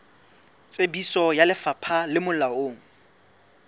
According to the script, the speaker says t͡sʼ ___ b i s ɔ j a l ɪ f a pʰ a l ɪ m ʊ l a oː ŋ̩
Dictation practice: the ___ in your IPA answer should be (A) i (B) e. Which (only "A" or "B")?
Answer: B